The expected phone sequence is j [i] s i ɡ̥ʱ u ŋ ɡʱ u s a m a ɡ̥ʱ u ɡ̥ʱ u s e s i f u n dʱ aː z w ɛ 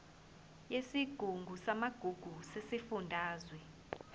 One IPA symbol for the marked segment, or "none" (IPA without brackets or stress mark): e